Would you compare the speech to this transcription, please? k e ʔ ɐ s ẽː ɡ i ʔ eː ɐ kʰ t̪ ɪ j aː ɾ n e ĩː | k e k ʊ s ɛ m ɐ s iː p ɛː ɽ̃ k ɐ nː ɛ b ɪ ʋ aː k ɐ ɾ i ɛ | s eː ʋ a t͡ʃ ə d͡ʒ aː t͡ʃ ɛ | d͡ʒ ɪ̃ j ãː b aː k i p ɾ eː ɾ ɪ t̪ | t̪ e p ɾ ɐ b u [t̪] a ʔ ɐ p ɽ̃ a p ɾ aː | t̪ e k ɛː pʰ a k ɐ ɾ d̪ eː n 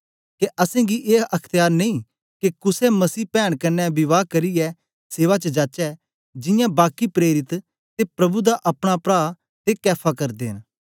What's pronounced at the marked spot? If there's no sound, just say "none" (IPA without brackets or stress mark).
d̪